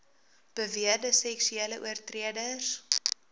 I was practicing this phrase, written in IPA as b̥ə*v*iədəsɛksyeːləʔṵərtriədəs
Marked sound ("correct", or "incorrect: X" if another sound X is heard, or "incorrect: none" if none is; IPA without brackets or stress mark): correct